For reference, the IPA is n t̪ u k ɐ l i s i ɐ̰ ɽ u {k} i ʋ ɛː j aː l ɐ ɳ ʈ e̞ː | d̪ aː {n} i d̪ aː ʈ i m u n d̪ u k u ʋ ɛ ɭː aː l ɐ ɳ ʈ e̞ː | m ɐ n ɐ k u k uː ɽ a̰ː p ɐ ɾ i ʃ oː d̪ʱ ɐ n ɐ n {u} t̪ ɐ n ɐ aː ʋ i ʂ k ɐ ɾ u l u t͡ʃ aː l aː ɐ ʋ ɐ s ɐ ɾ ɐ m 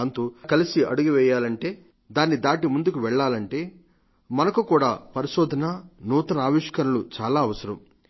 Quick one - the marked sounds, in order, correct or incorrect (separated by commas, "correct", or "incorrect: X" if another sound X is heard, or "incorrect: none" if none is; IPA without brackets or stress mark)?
incorrect: ɡ, incorrect: nː, incorrect: uː